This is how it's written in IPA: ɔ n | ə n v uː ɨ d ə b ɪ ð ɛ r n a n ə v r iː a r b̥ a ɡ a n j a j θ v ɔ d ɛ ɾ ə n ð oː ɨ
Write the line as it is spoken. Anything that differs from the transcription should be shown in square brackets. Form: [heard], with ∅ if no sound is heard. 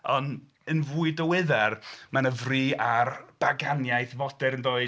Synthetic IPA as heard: ɔ n | ə n v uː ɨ d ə [w] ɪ ð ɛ r [m] a n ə v r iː a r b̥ a ɡ a n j a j θ v ɔ d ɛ ɾ ə n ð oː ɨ

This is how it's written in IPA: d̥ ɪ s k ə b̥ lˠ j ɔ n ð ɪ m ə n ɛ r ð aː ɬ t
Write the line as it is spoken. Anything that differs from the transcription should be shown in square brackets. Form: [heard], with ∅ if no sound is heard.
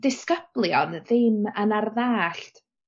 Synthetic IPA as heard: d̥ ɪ s k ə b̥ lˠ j ɔ n ð ɪ m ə n [a] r ð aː ɬ t

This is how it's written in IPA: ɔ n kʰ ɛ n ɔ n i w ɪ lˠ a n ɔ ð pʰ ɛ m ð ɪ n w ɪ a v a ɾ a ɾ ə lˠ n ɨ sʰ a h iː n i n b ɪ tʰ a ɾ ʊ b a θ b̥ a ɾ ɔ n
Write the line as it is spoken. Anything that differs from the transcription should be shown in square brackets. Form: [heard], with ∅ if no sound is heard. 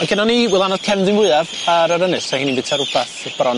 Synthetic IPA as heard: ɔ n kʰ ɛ n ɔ n i w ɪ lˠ a n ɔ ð [kʰ] ɛ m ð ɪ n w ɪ a v a ɾ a ɾ ə [∅] n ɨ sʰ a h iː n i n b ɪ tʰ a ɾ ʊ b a θ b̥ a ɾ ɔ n

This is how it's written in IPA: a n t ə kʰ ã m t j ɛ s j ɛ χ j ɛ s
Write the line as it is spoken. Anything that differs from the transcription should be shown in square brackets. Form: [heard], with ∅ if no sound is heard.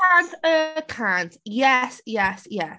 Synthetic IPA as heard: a n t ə kʰ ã [n] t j ɛ s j ɛ [s] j ɛ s

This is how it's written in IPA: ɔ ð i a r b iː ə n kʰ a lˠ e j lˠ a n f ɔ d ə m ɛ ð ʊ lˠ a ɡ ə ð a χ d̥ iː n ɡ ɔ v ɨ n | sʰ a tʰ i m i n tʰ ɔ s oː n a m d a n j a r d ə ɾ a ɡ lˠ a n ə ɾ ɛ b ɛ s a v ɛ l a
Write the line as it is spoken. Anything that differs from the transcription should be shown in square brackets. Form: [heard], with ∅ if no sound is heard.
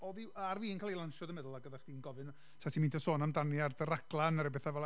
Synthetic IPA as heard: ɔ ð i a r [v] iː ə n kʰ a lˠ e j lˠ a n [ʃ] ɔ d ə m ɛ ð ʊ lˠ a ɡ ə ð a χ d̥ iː n ɡ ɔ v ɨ n | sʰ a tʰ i m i n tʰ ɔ s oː n a m d a n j a r d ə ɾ a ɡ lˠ a n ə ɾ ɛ b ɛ [θ] a v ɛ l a

